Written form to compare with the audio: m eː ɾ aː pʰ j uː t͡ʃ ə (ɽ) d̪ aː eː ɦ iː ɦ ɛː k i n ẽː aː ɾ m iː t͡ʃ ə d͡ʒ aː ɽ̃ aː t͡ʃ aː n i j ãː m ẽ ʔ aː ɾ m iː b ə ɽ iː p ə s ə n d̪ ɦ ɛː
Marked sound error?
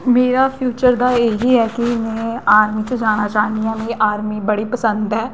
yes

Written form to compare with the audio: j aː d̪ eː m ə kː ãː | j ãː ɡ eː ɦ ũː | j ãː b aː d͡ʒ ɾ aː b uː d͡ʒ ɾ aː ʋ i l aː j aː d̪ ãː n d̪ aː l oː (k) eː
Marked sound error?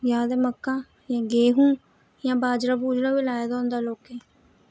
no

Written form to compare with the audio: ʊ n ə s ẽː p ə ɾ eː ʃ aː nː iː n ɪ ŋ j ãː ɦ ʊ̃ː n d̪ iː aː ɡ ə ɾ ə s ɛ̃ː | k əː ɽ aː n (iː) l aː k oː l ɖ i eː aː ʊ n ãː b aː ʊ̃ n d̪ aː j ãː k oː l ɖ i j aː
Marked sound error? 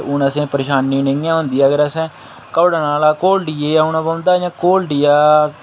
yes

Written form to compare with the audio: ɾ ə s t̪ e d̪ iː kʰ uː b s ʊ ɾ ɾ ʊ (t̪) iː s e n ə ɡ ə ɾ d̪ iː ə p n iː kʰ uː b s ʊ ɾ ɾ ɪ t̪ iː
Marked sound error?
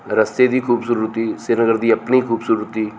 no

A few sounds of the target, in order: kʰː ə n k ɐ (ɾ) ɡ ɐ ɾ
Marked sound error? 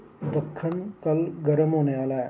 yes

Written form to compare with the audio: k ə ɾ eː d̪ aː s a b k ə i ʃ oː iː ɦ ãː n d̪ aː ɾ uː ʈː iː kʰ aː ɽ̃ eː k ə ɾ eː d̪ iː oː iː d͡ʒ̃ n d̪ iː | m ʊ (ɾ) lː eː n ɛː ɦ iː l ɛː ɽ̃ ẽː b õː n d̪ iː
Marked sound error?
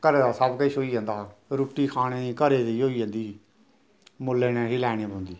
yes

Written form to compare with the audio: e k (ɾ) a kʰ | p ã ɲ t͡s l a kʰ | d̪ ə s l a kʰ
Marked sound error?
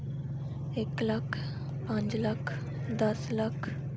yes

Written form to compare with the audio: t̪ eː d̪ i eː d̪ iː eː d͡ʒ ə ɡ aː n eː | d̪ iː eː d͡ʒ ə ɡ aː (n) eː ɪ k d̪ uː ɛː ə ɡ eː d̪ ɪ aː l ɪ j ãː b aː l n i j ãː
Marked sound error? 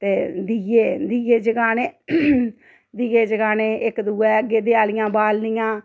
no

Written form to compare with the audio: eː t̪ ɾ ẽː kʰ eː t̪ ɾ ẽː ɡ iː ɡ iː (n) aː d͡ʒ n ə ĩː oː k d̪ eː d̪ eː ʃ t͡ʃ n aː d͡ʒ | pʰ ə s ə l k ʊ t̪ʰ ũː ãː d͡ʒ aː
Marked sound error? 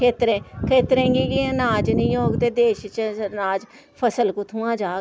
no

